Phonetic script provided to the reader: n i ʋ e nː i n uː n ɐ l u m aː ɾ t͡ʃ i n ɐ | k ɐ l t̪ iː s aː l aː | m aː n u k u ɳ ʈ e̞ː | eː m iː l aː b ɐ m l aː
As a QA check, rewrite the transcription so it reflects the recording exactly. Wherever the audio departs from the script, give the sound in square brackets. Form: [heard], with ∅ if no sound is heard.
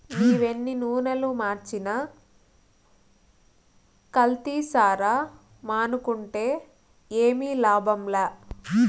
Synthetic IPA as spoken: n [iː] ʋ e nː i n uː n ɐ l u m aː ɾ t͡ʃ i n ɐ | k ɐ l t̪ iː s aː [ɾ] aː | m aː n u k u ɳ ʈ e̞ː | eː m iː l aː b ɐ m l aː